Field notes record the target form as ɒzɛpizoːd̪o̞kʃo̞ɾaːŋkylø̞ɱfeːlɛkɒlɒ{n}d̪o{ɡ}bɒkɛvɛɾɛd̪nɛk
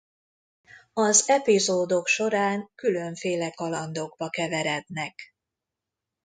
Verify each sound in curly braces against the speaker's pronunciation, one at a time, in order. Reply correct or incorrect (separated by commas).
correct, correct